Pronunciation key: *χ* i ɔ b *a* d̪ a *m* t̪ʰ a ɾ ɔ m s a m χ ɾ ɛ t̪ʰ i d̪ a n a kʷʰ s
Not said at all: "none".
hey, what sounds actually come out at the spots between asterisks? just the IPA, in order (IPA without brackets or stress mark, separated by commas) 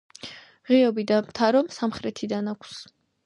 ʁ, i, m